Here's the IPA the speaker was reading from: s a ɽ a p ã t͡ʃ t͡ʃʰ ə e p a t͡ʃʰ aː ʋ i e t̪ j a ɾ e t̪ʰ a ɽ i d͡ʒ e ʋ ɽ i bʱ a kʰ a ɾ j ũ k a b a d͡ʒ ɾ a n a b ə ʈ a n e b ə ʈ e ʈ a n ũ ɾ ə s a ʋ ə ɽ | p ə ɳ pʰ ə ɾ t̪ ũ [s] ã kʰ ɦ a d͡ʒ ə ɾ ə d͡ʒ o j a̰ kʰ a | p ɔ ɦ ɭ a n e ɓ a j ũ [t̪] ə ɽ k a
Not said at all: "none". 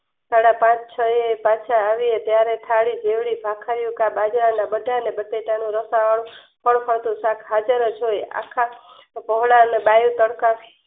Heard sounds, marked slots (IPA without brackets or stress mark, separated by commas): s, t̪